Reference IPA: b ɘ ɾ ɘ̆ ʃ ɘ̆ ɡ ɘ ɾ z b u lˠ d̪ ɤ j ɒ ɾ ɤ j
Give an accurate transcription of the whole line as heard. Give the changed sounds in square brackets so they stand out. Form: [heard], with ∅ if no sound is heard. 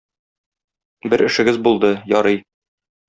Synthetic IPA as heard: b ɘ ɾ ɘ̆ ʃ ɘ̆ ɡ ɘ [∅] z b u lˠ d̪ ɤ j ɒ ɾ ɤ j